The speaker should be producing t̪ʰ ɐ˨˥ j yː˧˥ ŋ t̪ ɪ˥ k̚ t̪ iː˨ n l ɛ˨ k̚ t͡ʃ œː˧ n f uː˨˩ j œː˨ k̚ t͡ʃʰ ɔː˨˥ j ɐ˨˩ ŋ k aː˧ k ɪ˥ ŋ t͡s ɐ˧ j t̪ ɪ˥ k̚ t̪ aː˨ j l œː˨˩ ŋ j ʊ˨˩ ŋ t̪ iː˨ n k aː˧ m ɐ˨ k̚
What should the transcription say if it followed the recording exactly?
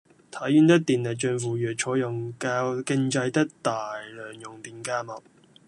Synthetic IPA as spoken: t̪ʰ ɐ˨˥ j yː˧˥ n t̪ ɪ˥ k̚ t̪ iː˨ n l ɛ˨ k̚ t͡ʃ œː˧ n f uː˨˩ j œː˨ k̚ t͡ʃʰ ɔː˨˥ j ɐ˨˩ ŋ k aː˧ k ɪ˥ ŋ t͡s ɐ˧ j t̪ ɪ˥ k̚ t̪ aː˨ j l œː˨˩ ŋ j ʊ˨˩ ŋ t̪ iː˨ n k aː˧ m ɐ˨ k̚